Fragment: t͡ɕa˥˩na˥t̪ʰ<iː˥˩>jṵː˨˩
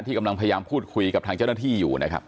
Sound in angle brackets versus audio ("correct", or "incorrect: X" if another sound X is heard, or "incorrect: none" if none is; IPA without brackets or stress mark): correct